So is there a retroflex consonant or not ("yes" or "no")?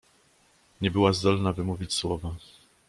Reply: no